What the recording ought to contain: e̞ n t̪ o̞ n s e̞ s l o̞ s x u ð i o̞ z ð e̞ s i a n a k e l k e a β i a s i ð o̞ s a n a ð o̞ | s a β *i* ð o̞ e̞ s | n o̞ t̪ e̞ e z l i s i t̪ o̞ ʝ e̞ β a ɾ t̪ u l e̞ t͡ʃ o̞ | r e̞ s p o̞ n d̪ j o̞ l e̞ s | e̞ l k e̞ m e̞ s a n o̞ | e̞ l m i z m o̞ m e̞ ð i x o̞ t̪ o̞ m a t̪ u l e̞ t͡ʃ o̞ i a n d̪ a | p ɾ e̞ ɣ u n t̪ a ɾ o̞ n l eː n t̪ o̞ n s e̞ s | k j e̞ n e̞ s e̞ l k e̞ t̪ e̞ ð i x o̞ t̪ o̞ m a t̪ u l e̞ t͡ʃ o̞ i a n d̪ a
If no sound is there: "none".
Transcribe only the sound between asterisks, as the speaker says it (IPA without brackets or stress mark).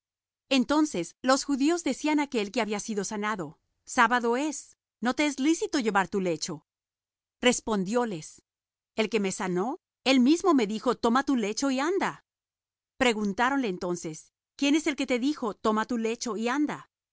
a